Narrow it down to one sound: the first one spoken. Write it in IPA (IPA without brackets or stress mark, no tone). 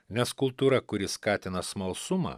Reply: nʲ